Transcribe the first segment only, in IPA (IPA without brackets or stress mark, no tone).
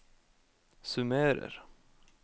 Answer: s